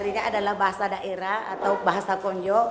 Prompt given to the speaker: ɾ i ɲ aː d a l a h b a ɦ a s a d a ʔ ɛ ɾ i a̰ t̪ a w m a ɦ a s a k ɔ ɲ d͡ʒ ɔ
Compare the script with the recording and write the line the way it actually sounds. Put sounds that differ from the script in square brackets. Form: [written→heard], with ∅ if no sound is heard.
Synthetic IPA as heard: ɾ i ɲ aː d a l a h b a ɦ a s a d a ʔ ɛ ɾ [i→a] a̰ t̪ a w [m→b] a ɦ a s a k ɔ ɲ d͡ʒ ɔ